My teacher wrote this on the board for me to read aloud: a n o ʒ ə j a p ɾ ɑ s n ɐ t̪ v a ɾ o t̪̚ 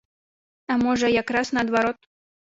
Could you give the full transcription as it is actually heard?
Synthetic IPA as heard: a m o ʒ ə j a k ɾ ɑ s n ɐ d̪ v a ɾ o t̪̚